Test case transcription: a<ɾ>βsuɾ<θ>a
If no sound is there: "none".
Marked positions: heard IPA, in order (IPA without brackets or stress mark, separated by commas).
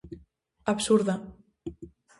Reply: none, ð